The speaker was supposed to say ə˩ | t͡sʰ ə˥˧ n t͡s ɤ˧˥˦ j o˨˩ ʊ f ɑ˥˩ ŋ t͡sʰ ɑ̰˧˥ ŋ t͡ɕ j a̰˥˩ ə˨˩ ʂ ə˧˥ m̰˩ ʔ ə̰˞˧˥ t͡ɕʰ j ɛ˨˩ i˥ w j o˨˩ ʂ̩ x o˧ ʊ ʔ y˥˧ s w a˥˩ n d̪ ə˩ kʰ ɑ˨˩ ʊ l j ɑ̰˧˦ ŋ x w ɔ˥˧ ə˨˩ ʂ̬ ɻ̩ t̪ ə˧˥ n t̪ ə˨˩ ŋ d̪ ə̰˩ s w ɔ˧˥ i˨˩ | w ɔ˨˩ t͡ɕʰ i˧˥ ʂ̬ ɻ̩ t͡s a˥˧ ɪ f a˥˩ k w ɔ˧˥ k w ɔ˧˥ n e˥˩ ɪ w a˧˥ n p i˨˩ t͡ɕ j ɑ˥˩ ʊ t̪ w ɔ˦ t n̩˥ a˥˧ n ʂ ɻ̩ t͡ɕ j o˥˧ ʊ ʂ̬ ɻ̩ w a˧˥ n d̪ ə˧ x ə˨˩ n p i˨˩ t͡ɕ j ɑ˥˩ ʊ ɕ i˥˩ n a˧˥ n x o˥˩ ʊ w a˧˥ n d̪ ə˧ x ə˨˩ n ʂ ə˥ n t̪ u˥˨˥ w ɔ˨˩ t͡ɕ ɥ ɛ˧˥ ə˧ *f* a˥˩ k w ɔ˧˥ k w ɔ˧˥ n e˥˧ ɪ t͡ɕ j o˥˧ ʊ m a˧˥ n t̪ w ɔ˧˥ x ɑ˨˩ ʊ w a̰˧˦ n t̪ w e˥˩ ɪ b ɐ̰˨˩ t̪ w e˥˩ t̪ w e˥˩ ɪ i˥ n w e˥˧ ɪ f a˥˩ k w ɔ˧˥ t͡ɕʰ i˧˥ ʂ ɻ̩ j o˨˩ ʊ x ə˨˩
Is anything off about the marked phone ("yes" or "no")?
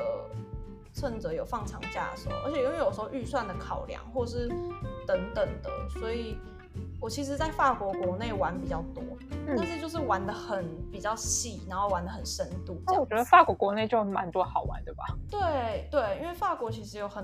no